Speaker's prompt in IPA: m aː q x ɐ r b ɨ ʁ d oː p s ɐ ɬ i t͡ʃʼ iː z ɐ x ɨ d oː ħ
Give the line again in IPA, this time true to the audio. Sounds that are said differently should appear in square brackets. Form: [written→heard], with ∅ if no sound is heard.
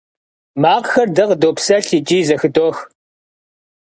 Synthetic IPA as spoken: m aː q x ɐ r [b→d] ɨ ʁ d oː p s ɐ ɬ i t͡ʃʼ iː z ɐ x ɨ d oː [ħ→x]

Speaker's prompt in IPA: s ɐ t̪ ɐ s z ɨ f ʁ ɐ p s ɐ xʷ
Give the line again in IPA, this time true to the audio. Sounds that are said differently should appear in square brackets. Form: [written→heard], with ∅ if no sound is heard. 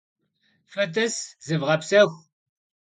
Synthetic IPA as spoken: [s→f] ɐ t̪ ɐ s z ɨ [f→v] ʁ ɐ p s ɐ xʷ

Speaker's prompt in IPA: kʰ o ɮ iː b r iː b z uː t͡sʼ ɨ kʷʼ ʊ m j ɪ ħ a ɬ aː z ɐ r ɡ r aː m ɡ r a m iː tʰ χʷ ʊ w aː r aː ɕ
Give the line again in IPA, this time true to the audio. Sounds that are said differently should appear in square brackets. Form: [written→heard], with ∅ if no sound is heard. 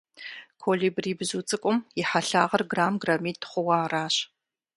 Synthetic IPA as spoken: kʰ o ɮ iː b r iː b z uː t͡sʼ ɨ kʷʼ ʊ m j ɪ ħ a ɬ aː [z→ʁ] ɐ r ɡ r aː m ɡ r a m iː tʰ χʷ ʊ w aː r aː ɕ

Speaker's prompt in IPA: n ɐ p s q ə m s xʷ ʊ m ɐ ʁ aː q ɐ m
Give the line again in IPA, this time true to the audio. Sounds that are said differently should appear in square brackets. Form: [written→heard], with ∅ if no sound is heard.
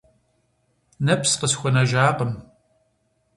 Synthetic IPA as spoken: n ɐ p s q ə [m→∅] s xʷ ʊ [m→n] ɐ [ʁ→ʒ] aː q [ɐ→ə] m

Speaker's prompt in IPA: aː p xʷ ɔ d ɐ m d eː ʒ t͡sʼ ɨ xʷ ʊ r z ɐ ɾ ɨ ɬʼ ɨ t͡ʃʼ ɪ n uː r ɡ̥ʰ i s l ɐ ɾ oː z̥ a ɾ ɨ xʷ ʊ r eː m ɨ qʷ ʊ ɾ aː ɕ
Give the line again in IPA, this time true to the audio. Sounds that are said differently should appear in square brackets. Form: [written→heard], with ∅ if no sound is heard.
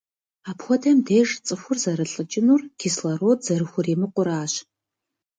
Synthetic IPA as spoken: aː p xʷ ɔ d ɐ m d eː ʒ t͡sʼ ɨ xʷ ʊ r z ɐ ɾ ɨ ɬʼ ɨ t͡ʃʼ ɪ n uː r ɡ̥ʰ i s l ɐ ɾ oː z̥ [a→ɐ] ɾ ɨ xʷ ʊ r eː m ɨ qʷ ʊ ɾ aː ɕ

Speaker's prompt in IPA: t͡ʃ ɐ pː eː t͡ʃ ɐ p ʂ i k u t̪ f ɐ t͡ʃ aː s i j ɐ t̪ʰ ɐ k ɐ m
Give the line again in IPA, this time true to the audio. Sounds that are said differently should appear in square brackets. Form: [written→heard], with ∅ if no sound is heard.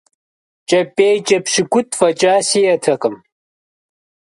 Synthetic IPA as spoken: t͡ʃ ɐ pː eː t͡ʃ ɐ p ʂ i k u t̪ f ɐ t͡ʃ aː s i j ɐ t̪ʰ ɐ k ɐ m

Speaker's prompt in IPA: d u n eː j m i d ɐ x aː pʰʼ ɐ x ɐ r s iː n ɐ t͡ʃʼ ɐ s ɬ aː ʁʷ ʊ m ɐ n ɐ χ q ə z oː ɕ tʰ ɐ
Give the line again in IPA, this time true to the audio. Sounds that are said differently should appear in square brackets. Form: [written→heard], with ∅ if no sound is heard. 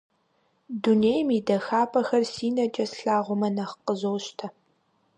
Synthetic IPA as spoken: d u n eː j m i d ɐ x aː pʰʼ ɐ x ɐ r s iː n ɐ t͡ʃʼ ɐ s ɬ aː ʁʷ ʊ m ɐ n ɐ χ q ə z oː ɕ tʰ ɐ

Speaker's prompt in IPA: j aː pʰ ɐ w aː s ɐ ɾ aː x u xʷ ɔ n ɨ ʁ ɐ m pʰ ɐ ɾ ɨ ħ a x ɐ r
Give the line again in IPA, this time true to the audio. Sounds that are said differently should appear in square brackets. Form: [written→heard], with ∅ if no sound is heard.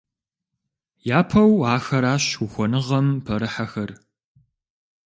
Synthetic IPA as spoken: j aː pʰ ɐ w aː [s→x] ɐ ɾ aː [x→ɕ] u xʷ ɔ n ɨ ʁ ɐ m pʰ ɐ ɾ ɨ ħ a x ɐ r

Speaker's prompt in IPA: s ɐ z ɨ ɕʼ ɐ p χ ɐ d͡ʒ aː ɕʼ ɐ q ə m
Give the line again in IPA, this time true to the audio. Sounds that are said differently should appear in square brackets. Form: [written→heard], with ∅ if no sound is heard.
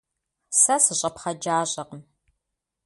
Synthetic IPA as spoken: s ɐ [z→s] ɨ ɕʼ ɐ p χ ɐ d͡ʒ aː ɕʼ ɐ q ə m

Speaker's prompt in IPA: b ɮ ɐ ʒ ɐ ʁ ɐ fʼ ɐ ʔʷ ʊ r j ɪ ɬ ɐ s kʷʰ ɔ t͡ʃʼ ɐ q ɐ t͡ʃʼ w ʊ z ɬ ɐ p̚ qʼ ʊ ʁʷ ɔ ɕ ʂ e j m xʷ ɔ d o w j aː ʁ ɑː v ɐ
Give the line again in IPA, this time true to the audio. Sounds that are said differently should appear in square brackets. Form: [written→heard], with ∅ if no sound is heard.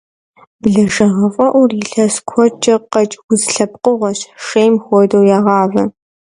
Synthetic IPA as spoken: b ɮ ɐ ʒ ɐ ʁ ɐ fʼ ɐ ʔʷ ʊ r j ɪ ɬ ɐ s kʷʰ ɔ t͡ʃʼ ɐ q ɐ t͡ʃʼ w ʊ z ɬ ɐ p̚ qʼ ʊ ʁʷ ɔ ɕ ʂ e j m xʷ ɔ d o w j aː ʁ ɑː v ɐ

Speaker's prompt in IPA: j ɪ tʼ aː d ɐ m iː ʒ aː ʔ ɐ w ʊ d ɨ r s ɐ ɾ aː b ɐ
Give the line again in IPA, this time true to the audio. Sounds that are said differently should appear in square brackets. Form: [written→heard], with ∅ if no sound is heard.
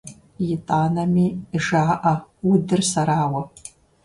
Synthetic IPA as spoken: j ɪ tʼ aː [d→n] ɐ m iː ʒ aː ʔ ɐ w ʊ d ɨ r s ɐ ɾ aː [b→w] ɐ

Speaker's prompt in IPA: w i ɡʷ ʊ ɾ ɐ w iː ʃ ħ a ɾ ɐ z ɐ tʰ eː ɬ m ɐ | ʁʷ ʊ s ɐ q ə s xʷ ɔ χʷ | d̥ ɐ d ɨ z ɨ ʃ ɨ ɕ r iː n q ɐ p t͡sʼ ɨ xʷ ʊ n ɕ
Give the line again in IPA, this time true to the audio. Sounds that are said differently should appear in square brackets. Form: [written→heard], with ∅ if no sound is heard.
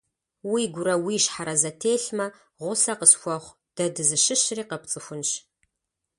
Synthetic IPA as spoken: w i ɡʷ ʊ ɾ ɐ w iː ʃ ħ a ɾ ɐ z ɐ tʰ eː ɬ m ɐ | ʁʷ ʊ s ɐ q ə s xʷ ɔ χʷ | d̥ ɐ d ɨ z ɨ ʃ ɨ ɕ r iː [n→∅] q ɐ p t͡sʼ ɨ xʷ ʊ n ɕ

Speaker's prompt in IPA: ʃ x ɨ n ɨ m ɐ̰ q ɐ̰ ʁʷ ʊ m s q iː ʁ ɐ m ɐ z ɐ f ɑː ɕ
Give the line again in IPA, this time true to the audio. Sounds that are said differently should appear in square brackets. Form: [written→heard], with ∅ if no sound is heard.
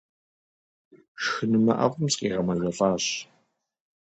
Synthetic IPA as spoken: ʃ x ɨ n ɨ m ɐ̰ [q→ʔ] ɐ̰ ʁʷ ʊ m s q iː ʁ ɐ m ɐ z ɐ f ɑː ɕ

